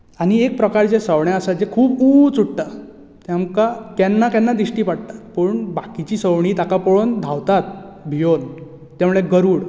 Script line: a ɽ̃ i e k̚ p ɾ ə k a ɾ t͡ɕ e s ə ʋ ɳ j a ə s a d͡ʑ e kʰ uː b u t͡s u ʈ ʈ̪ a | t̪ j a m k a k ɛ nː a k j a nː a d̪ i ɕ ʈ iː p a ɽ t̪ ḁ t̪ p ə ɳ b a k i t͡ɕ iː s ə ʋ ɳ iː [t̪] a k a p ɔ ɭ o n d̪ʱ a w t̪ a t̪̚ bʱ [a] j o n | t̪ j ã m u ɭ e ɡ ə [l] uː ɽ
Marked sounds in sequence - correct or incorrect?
correct, incorrect: i, incorrect: ɾ

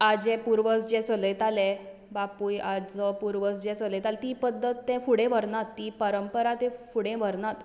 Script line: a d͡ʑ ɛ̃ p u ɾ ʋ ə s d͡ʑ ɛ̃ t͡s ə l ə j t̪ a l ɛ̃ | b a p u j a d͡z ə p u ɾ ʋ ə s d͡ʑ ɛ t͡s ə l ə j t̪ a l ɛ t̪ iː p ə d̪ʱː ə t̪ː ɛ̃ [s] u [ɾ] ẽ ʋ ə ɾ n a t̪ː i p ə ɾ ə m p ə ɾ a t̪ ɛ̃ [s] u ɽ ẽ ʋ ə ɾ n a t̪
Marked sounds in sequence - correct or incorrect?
incorrect: f, incorrect: ɽ, incorrect: f

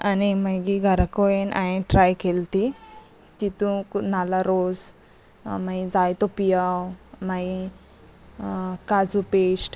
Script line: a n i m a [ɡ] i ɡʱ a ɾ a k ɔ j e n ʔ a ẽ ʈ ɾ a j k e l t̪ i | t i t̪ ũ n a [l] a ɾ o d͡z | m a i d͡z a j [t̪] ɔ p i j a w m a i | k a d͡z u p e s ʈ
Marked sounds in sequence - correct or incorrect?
correct, correct, correct

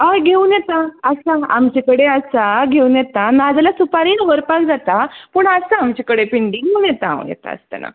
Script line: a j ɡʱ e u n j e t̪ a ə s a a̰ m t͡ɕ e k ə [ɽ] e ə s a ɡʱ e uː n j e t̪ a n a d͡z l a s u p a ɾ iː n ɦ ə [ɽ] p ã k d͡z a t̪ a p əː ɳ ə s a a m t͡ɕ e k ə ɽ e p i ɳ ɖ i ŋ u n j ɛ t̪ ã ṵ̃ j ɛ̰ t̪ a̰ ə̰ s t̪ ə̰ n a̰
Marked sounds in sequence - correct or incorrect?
correct, incorrect: ɾ

